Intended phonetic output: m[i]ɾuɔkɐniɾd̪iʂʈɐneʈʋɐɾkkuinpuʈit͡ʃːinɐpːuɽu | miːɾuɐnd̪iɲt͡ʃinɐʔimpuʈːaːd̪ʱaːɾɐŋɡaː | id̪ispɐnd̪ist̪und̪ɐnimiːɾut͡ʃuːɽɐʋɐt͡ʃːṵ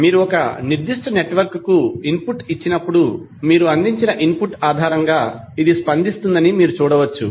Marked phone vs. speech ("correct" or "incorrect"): incorrect